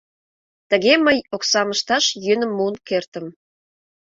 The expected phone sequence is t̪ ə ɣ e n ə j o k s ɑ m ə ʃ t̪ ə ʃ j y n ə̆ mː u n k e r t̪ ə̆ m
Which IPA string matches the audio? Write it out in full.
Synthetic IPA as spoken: t̪ ə ɣ e m ə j o k s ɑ m ə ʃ t̪ ɑ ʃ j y n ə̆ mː u n k e r t̪ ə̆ m